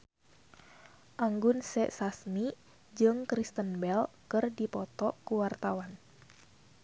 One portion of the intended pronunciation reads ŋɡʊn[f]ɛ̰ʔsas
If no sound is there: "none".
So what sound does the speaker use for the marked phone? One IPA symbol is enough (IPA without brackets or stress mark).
s